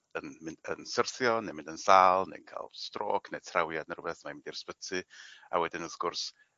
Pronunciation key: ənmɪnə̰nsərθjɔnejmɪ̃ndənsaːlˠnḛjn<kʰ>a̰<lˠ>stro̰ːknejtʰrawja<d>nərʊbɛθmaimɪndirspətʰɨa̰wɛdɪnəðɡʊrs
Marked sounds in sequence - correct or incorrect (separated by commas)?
correct, correct, correct